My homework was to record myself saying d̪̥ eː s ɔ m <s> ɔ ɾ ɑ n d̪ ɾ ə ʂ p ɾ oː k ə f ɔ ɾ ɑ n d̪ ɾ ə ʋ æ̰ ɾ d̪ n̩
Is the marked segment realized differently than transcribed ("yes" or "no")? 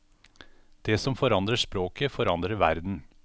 yes